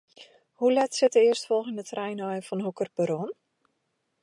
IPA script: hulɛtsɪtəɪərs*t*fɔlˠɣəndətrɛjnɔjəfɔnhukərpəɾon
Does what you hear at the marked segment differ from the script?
no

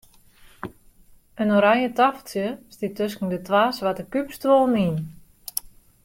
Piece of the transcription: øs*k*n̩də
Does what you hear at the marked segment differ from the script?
no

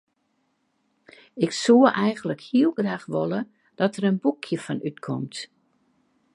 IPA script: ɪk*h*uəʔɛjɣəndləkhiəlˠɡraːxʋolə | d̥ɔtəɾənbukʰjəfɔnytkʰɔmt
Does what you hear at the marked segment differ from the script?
yes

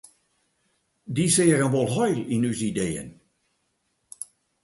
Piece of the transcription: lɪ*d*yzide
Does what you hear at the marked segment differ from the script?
yes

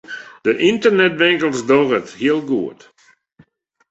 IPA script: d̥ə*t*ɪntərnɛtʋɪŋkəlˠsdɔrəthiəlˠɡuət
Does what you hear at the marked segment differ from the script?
yes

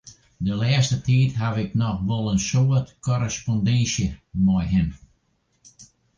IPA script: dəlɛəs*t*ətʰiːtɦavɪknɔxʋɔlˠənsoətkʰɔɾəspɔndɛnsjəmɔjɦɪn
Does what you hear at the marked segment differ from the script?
no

